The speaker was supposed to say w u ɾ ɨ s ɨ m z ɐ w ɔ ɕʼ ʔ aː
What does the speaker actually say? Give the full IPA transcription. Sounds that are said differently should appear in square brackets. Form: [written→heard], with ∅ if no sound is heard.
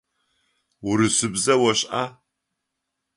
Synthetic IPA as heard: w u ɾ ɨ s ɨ [m→b] z ɐ w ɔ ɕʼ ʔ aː